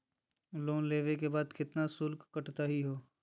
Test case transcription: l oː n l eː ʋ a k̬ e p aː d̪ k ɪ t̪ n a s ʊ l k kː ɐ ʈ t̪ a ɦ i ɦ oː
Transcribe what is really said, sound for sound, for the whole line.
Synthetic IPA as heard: l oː n l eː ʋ e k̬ e b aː d̪ k ɪ t̪ n a s ʊ l k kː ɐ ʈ t̪ a ɦ i ɦ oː